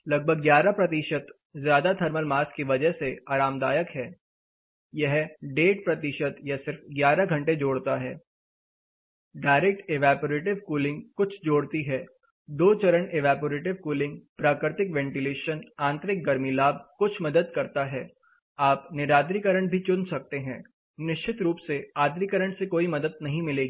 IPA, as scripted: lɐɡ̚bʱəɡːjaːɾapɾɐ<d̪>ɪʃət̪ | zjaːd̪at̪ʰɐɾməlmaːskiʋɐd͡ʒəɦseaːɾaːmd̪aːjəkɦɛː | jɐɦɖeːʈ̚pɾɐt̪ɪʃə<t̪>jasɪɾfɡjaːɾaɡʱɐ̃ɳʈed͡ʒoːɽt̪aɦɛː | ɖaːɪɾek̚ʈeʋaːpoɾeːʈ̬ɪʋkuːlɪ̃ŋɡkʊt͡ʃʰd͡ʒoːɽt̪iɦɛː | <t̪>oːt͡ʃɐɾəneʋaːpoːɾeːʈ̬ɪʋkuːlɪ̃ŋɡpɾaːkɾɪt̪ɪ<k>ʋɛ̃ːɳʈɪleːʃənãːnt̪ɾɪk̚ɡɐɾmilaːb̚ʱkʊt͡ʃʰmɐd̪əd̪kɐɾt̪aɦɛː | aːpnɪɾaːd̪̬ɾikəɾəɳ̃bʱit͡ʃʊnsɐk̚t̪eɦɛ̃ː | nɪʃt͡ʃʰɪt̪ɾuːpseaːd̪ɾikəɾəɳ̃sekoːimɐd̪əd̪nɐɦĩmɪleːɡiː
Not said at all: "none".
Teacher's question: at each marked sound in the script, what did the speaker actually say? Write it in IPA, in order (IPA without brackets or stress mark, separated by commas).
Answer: t̪, t̪, d̪, k